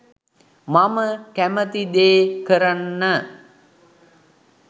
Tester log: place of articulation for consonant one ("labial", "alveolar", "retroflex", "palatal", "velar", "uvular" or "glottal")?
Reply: labial